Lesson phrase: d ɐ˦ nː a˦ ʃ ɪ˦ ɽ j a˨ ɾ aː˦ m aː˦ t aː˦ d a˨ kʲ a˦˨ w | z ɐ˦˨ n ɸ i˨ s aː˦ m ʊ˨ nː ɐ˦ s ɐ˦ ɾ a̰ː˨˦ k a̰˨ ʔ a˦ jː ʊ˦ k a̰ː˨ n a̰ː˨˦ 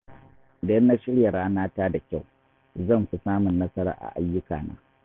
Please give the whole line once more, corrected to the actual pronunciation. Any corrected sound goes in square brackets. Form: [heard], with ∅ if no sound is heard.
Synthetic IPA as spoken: d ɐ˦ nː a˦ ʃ ɪ˦ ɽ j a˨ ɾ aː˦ [n] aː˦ t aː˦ d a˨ kʲ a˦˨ w | z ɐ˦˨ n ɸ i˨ s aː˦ m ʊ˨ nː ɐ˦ s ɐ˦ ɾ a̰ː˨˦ [ʔ] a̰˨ ʔ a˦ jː ʊ˦ k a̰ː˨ n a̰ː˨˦